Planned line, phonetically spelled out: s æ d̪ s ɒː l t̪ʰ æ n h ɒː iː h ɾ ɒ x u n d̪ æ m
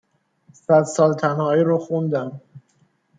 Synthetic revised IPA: s æ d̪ s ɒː l t̪ʰ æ n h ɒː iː ɾ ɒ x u n d̪ æ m